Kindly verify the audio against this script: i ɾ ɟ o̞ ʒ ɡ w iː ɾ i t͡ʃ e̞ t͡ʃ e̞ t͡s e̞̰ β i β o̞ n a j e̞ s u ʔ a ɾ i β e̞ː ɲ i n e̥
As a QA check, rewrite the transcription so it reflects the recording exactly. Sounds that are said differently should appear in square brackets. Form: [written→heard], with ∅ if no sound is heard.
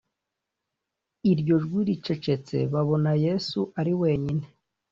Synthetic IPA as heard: i ɾ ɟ o̞ ʒ ɡ w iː ɾ i t͡ʃ e̞ t͡ʃ e̞ t͡s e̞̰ β [i→a] β o̞ n a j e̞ s u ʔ a ɾ i [β→w] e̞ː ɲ i n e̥